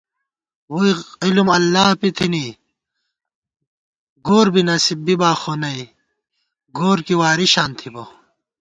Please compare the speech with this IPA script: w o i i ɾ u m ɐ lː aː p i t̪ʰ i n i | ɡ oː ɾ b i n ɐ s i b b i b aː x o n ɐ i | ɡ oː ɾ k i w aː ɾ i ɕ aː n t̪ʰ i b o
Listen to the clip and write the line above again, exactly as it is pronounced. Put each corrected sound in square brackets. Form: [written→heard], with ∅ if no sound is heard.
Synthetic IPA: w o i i [ɾ→l] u m ɐ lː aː p i t̪ʰ i n i | ɡ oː ɾ b i n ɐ s i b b i b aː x o n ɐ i | ɡ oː ɾ k i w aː ɾ i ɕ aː n t̪ʰ i b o